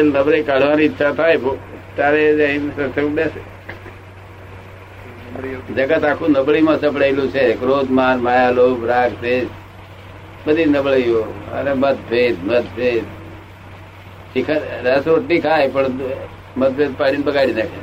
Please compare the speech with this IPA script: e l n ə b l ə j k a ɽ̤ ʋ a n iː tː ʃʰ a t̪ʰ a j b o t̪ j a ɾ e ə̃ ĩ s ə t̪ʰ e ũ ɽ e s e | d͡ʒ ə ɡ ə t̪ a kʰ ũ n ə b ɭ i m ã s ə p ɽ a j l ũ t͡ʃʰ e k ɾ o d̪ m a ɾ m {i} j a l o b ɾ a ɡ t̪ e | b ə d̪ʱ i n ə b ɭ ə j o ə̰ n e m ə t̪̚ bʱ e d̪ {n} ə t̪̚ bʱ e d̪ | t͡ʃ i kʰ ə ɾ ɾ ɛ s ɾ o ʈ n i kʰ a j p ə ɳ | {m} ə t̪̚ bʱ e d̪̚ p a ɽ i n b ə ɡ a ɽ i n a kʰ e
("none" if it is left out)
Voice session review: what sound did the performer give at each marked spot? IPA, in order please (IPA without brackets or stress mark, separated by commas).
a, m, m